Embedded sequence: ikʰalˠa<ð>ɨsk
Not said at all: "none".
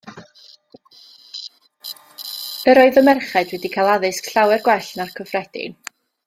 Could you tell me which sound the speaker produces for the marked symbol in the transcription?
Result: ð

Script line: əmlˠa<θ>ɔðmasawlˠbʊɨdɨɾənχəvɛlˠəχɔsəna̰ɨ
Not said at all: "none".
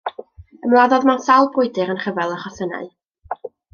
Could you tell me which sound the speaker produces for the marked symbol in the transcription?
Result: ð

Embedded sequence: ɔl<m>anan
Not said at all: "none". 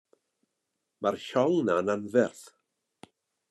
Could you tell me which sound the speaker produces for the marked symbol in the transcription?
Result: n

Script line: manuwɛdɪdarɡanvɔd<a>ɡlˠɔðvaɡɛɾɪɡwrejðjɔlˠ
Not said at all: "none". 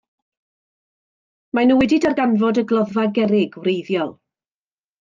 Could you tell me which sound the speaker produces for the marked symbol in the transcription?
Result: ə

